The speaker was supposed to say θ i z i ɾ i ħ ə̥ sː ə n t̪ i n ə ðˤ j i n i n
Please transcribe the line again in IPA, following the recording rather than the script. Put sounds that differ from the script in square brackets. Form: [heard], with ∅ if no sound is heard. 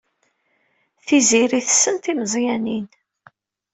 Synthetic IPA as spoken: θ i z i ɾ i [θ] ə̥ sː ə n t̪ i [m] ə [zˤ] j [æ] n i n